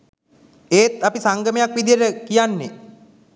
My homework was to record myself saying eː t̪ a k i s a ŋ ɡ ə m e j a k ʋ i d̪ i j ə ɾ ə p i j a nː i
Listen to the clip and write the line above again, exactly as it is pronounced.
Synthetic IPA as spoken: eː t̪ a p i s a ŋ ɡ ə m e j a k ʋ i d̪ i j ə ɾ ə k i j a nː e

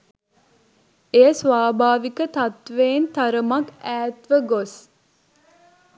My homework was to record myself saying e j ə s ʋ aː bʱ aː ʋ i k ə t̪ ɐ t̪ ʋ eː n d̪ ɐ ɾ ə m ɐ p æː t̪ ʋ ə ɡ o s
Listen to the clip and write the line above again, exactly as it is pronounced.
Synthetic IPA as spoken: e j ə s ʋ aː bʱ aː ʋ i k ə t̪ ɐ t̪ ʋ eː n t̪ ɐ ɾ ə m ɐ k æː t̪ ʋ ə ɡ o s

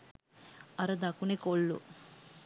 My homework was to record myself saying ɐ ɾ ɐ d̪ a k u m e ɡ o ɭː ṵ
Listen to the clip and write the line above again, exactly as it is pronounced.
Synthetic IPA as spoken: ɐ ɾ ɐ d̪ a k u n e k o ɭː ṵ

